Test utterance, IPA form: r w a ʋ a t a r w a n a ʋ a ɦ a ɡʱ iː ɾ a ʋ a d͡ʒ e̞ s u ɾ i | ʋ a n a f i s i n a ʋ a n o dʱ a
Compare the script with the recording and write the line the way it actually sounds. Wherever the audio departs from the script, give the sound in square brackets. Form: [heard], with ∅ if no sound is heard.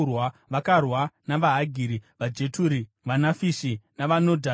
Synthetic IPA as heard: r w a ʋ a [k] a r w a n a ʋ a ɦ a ɡʱ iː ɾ [i] ʋ a d͡ʒ e̞ [t] u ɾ i | ʋ a n a f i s i n a ʋ a n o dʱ a